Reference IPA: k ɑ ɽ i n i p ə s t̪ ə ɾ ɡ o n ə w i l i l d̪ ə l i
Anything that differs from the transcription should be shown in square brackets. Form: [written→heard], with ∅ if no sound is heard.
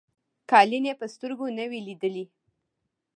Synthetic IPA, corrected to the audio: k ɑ [ɽ→l] i n [i→e] p ə s t̪ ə ɾ ɡ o n ə w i l i [l→∅] d̪ ə l i